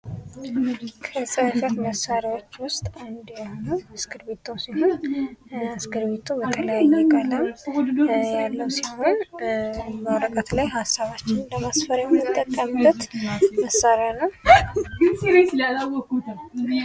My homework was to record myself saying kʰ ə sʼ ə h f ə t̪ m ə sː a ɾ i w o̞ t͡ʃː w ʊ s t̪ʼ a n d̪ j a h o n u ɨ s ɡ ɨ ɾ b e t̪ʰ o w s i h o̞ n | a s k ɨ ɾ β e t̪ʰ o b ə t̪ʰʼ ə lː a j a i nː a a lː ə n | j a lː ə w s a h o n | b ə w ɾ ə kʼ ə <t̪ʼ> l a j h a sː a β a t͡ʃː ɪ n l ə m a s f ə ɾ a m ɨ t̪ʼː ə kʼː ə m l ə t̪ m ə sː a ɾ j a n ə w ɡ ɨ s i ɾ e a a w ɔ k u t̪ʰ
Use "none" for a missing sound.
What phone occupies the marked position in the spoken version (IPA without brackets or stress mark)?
t̪